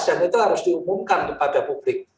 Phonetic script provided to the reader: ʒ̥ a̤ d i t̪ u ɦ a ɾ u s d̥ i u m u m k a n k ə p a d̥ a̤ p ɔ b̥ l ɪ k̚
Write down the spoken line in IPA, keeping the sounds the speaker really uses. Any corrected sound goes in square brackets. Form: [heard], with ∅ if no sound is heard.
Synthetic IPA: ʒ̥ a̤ [n] i t̪ u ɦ a ɾ [ʊ] s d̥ i u m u m k a n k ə p a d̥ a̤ p [u] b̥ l ɪ k̚